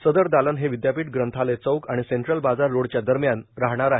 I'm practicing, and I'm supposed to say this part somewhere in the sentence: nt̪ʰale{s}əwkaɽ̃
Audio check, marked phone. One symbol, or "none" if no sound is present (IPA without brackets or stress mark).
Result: t͡s